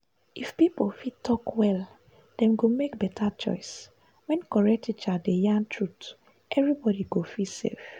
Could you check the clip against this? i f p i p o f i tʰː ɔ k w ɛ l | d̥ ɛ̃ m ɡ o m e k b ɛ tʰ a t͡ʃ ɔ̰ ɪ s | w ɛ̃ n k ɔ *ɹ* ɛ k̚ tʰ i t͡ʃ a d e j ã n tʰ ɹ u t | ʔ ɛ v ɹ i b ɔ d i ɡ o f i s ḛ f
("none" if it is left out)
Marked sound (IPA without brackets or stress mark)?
ɹ